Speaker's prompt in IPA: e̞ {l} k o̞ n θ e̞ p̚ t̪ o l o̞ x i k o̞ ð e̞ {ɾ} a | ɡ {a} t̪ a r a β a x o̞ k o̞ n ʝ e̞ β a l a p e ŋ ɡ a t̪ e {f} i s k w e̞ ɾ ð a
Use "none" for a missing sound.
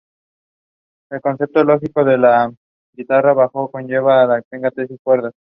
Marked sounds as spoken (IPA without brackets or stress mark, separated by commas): l, l, i, s